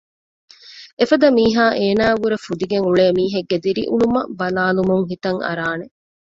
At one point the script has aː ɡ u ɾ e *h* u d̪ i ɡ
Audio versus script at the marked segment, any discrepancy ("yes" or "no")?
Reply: yes